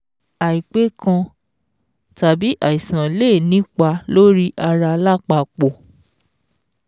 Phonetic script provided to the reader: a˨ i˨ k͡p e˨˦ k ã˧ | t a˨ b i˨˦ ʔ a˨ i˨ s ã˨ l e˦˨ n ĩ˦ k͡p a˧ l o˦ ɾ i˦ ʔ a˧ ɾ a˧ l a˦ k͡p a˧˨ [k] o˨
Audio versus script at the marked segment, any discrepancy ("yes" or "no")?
yes